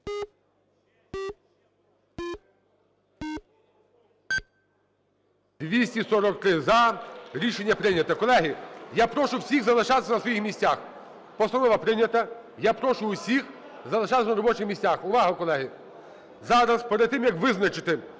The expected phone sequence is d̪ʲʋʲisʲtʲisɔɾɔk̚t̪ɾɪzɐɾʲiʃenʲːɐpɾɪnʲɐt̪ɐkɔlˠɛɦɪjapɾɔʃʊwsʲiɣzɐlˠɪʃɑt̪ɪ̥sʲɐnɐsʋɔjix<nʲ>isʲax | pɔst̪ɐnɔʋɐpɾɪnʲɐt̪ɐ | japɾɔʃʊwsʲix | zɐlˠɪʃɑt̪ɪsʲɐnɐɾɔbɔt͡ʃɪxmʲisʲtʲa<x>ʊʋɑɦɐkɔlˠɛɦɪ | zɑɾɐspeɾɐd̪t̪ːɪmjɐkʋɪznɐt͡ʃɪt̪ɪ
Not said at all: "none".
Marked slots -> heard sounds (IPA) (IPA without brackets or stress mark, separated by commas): mʲ, x